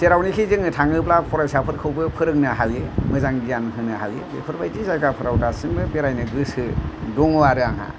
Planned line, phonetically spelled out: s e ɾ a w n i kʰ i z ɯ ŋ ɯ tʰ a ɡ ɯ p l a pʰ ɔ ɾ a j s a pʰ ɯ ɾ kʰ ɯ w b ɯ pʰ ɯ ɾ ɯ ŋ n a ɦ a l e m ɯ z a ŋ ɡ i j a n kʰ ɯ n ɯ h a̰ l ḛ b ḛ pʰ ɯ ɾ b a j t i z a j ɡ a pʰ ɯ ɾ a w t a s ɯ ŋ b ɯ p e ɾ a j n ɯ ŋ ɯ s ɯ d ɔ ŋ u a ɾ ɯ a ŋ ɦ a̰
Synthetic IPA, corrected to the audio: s e ɾ a w n i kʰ i z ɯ ŋ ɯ tʰ a ŋ ɯ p l a pʰ ɔ ɾ a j s a pʰ ɯ ɾ kʰ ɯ w b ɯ pʰ ɯ ɾ ɯ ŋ n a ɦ a l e m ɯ z a ŋ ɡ i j a n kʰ ɯ n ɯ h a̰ l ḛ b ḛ pʰ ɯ ɾ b a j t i z a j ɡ a pʰ ɯ ɾ a w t a s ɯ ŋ b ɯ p e ɾ a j n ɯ ɡ ɯ s ɯ d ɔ ŋ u a ɾ ɯ a ŋ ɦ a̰